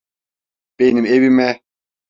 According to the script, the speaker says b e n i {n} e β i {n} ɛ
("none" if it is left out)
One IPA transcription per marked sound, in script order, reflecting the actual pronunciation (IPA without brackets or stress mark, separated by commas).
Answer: m, m